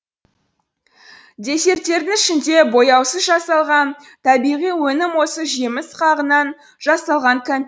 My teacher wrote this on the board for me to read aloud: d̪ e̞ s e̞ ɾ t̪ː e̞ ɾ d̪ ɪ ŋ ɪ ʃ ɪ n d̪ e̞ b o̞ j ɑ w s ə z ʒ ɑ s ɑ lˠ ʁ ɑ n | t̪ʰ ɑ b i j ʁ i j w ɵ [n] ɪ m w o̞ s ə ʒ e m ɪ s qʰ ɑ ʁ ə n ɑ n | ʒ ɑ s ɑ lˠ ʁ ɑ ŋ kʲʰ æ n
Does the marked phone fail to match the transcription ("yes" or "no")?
no